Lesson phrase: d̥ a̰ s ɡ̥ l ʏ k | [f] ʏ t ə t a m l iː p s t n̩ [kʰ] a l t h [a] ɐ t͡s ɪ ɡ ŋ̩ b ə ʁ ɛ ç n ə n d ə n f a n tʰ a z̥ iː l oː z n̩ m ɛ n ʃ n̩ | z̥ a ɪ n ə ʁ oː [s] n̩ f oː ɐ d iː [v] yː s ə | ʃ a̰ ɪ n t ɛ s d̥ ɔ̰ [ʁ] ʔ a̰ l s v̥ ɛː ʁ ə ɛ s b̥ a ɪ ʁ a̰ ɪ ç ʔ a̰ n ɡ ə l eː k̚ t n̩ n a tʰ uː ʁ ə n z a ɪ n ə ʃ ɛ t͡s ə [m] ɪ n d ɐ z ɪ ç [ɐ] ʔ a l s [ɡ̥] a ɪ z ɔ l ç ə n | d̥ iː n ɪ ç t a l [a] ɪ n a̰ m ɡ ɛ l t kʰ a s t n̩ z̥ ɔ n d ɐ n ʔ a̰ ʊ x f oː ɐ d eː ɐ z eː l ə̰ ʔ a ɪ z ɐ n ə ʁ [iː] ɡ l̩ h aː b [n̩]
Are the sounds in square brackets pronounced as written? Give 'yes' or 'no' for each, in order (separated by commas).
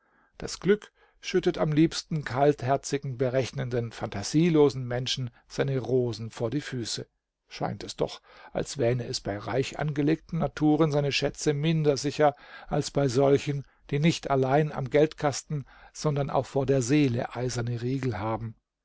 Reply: no, yes, no, no, no, no, yes, yes, no, yes, yes, no